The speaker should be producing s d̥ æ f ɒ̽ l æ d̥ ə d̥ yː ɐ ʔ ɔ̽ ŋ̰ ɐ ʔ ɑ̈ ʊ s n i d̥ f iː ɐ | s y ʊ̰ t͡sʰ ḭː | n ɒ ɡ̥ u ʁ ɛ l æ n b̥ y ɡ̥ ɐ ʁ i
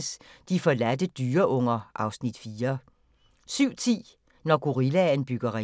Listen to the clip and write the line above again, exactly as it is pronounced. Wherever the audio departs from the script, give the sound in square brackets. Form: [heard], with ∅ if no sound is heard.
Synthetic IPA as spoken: s d̥ [i] f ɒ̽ l æ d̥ ə d̥ yː ɐ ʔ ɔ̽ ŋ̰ ɐ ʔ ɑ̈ ʊ s n i d̥ f iː ɐ | s y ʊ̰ t͡sʰ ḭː | n ɒ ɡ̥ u ʁ [i] l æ n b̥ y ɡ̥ ɐ ʁ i